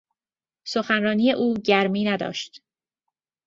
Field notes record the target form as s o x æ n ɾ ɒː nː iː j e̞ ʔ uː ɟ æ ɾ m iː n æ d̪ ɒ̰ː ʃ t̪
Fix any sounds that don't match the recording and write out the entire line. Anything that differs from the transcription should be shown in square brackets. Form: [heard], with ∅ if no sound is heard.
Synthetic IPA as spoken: s o x æ n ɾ ɒː [n] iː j e̞ ʔ uː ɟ æ ɾ m iː n æ d̪ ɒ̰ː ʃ t̪

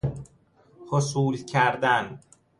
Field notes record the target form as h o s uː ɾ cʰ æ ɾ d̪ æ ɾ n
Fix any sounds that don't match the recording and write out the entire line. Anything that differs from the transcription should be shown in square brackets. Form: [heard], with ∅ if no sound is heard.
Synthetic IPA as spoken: h o s uː [l] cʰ æ ɾ d̪ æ [∅] n

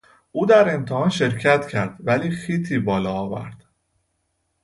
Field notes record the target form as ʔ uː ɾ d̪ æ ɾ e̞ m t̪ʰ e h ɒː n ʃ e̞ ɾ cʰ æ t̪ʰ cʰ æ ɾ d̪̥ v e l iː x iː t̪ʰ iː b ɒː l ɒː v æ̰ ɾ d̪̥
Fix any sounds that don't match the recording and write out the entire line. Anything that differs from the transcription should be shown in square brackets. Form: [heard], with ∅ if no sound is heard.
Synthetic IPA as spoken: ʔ uː [∅] d̪ æ ɾ e̞ m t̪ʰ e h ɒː n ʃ e̞ ɾ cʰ æ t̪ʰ cʰ æ ɾ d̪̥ v [æ] l iː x iː t̪ʰ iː b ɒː l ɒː v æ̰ ɾ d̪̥

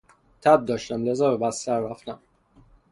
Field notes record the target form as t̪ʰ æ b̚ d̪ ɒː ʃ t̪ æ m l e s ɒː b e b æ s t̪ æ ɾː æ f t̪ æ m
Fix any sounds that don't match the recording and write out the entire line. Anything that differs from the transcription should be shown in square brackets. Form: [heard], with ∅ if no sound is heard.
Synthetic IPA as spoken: t̪ʰ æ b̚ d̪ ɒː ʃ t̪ æ m l e [z] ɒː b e b æ s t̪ æ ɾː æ f t̪ æ m

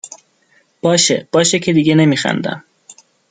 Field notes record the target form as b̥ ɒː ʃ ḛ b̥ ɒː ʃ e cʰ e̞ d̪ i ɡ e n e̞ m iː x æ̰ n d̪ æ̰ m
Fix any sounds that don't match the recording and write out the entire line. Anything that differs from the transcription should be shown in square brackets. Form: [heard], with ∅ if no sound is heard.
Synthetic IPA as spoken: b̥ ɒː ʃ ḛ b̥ ɒː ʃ e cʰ e̞ d̪ i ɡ e n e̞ m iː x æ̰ n d̪ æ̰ m

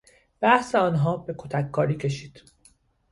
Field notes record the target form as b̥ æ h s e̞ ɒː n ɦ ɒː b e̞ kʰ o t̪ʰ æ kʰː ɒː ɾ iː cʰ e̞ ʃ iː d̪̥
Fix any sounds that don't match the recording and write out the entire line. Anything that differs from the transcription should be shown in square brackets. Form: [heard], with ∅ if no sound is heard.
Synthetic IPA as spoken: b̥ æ h s e̞ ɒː n ɦ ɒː b e̞ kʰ o t̪ʰ æ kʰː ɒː ɾ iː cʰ e̞ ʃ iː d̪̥

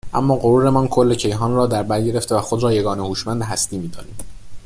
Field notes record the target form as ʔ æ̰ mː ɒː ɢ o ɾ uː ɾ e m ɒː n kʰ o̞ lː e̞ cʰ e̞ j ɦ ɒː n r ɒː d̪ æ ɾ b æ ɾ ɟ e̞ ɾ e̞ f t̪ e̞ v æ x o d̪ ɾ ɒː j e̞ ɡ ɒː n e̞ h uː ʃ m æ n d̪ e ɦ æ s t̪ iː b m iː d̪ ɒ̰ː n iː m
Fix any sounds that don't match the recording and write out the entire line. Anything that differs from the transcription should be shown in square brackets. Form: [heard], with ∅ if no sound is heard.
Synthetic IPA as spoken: ʔ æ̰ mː ɒː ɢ o ɾ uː ɾ e m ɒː n kʰ o̞ lː e̞ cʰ e̞ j ɦ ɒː n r ɒː d̪ æ ɾ b æ ɾ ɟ e̞ ɾ e̞ f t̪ e̞ v æ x o d̪ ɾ ɒː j e̞ ɡ ɒː n e̞ h uː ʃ m æ n d̪ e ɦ æ s t̪ iː [∅] m iː d̪ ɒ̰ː n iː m

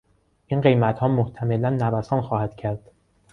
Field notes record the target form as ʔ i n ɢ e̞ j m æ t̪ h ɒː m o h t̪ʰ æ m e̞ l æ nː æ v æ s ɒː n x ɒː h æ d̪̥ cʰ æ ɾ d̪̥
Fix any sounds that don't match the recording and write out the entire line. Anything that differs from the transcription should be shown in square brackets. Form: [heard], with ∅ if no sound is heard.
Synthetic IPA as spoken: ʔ i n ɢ e̞ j m æ t̪ h ɒː m o h t̪ʰ æ m e̞ l æ nː æ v æ s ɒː n x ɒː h æ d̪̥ cʰ æ ɾ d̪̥

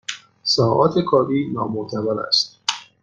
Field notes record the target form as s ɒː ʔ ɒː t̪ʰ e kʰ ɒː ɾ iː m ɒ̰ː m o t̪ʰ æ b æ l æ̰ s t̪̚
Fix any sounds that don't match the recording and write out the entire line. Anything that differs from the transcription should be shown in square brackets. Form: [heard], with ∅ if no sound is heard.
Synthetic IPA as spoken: s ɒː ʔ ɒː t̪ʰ e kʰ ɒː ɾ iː [n] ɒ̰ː m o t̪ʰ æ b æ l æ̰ s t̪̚

